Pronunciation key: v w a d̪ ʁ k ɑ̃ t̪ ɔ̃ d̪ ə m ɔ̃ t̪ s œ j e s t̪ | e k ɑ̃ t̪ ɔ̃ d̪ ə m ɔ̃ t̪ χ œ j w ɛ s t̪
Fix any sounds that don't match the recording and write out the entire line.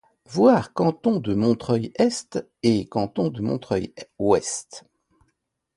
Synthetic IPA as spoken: v w a ʁ k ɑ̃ t̪ ɔ̃ d̪ ə m ɔ̃ t̪ χ œ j ɛ s t̪ | e k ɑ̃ t̪ ɔ̃ d̪ ə m ɔ̃ t̪ χ œ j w ɛ s t̪